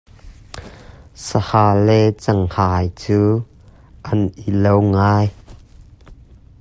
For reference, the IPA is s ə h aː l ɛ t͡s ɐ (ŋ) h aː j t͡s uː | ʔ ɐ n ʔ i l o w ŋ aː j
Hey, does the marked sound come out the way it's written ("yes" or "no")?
yes